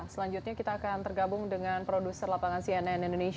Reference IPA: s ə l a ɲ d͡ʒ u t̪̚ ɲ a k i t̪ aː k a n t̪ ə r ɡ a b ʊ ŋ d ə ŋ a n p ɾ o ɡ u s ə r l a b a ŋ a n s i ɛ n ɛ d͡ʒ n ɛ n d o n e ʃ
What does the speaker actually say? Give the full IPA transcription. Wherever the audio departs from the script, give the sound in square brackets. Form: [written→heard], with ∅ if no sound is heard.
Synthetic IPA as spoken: s ə l a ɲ d͡ʒ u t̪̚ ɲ a k i t̪ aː k a n t̪ ə r ɡ a b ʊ ŋ d ə ŋ a n p ɾ o [ɡ→d] u s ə r l a [b→p] a ŋ a n s i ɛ n ɛ [d͡ʒ→∅] n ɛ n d o n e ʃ